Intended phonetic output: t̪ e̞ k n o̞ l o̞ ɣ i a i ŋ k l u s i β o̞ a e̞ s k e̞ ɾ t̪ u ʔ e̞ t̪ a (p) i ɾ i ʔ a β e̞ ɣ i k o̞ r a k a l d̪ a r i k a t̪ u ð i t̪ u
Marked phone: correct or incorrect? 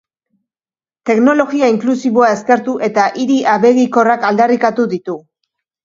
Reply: incorrect: ʔ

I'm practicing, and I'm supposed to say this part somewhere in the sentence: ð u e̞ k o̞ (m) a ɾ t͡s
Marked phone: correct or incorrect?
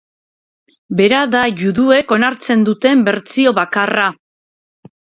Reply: incorrect: n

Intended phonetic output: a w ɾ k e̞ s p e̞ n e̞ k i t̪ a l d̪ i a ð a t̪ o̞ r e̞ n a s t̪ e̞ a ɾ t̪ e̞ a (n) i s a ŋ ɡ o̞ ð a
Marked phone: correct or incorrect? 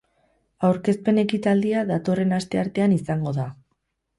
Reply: correct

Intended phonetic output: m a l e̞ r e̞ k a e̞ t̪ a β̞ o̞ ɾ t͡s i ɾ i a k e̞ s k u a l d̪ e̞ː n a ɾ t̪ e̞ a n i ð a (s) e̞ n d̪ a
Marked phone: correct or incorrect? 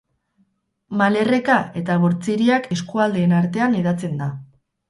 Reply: incorrect: t͡s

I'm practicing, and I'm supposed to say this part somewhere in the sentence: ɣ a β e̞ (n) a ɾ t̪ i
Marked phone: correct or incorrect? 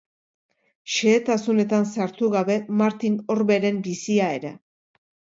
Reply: incorrect: m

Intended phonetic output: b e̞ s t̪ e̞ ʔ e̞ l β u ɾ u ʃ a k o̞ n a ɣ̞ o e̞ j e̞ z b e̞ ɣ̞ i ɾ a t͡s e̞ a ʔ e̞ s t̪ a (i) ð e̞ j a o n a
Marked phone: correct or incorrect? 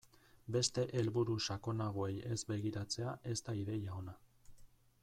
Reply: correct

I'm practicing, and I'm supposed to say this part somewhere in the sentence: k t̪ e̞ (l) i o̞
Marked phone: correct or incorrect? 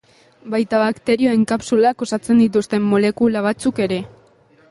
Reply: incorrect: ɾ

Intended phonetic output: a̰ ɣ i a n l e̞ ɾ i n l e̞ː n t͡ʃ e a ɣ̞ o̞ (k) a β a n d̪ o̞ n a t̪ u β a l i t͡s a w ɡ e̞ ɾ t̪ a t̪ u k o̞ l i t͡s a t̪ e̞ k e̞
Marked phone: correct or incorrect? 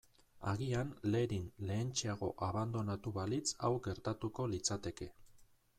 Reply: incorrect: ʔ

